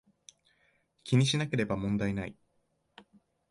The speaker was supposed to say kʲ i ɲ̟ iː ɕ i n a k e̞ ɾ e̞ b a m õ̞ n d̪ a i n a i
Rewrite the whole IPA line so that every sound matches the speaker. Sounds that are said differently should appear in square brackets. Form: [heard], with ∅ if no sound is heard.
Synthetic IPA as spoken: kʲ i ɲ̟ [i] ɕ i n a k e̞ ɾ e̞ b a m õ̞ n d̪ a i n a i